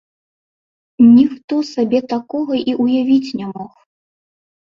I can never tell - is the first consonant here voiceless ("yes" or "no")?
no